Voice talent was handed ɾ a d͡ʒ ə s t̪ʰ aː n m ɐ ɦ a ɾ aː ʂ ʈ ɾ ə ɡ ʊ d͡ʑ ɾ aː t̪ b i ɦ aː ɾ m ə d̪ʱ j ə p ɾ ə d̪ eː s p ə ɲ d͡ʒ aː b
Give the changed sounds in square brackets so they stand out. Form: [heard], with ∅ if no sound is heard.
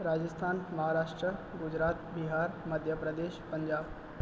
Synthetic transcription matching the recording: ɾ a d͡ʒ ə s t̪ʰ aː n m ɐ ɦ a ɾ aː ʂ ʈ ɾ ə ɡ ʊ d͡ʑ ɾ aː t̪ b i ɦ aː ɾ m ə d̪ʱ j ə p ɾ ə d̪ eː [ʃ] p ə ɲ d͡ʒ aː b